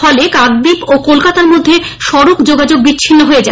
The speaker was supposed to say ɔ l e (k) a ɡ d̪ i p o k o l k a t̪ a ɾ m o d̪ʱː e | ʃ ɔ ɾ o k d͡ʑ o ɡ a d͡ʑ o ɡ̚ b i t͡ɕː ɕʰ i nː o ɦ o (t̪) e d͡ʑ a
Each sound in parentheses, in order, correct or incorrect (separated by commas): correct, incorrect